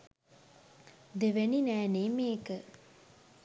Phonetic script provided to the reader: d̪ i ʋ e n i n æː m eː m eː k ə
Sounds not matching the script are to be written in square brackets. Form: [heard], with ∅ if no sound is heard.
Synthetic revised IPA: d̪ [e] ʋ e n i n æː [n] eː m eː k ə